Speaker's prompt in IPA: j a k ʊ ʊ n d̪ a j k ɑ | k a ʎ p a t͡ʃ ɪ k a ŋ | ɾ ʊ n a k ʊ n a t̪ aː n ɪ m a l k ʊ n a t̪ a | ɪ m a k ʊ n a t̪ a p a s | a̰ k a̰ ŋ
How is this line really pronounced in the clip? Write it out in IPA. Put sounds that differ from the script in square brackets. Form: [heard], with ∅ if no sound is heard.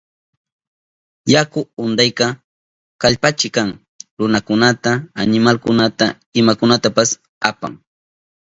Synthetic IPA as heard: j a k ʊ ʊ n d̪ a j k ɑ | k a ʎ p a t͡ʃ ɪ k a ŋ | ɾ ʊ n a k ʊ n a t̪ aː n ɪ m a l k ʊ n a t̪ a | ɪ m a k ʊ n a t̪ a p a s | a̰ [p] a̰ ŋ